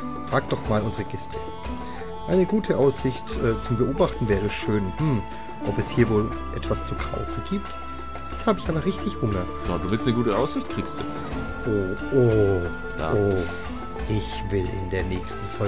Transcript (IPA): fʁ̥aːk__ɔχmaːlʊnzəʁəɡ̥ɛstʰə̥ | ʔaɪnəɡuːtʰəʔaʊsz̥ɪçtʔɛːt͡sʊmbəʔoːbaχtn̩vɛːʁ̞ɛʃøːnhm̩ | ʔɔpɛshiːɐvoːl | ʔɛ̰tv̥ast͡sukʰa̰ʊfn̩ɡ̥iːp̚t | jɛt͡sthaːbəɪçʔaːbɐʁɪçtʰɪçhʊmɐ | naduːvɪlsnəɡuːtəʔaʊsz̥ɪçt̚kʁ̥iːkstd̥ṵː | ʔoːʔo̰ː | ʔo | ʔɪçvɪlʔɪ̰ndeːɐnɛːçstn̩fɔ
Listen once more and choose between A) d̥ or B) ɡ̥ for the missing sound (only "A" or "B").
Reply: A